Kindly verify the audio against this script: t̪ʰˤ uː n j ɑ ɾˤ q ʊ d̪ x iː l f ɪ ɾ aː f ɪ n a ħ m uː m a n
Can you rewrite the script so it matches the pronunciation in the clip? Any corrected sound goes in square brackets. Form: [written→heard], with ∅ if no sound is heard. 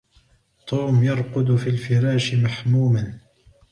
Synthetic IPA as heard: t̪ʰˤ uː [n→m] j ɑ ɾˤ q ʊ d̪ [x→f] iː l f ɪ ɾ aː [f→ʃ] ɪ [n→m] a ħ m uː m a n